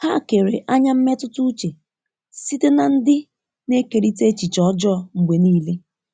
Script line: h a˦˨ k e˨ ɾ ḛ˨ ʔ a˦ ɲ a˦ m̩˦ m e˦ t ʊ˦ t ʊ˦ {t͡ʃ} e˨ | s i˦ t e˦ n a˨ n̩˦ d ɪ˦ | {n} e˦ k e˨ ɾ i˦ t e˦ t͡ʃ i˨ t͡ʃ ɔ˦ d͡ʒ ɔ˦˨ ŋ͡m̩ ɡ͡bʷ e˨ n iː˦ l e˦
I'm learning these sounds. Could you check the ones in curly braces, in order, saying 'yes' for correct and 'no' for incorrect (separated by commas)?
yes, yes